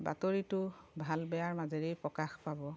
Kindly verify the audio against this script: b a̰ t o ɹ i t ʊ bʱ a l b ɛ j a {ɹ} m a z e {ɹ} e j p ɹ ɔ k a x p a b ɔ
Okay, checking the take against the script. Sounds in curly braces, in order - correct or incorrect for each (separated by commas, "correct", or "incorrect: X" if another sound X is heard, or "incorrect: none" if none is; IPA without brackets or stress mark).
correct, correct